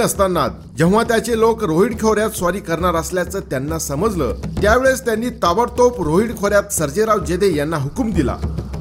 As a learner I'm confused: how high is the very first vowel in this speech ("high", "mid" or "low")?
mid